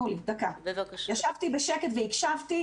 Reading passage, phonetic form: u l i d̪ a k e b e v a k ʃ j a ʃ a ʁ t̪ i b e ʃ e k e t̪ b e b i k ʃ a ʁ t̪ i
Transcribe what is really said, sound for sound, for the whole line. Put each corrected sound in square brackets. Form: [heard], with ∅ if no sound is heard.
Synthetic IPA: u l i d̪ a k [a] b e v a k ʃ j a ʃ a [v] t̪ i b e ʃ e k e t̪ [v] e [∅] i k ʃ a [v] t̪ i